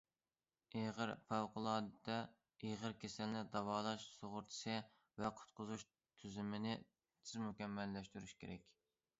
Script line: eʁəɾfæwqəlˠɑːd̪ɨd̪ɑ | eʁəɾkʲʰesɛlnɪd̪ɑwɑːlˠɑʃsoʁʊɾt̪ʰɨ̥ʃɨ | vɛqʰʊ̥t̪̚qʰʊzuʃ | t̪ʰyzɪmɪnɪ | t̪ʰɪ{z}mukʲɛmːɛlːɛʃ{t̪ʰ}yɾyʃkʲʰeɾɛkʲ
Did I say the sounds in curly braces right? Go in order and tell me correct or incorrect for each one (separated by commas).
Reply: correct, incorrect